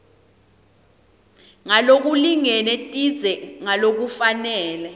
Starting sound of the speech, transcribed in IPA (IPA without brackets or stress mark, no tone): ŋ